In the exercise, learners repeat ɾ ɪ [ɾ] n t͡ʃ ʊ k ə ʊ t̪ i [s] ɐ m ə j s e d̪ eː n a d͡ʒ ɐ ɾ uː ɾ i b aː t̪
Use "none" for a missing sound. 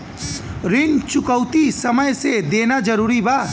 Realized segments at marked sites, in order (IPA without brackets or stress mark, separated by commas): none, s